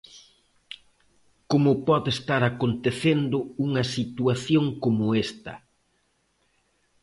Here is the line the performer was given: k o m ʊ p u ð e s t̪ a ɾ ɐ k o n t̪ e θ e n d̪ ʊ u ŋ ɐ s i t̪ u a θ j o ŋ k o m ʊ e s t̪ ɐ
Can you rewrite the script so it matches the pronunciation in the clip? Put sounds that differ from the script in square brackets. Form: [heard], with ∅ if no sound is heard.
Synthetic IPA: k o m ʊ p [ɔ] ð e s t̪ a ɾ [a] k o n t̪ e θ e n d̪ ʊ u ŋ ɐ s i t̪ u a θ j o ŋ k o m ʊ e s t̪ ɐ